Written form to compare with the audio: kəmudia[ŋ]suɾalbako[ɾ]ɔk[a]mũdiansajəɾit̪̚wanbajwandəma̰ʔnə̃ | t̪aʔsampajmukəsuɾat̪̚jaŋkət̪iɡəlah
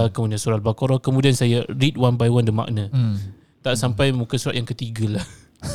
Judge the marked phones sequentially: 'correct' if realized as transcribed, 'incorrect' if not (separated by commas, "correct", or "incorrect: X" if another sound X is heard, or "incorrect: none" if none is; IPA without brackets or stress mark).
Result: incorrect: n, correct, incorrect: ə